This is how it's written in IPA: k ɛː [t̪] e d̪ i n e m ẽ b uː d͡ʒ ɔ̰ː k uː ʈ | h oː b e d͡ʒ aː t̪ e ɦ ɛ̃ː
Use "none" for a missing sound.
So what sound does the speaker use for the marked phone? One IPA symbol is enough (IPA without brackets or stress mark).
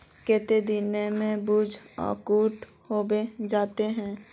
t̪